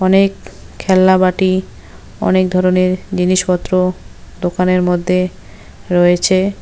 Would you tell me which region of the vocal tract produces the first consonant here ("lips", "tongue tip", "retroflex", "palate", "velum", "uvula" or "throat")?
tongue tip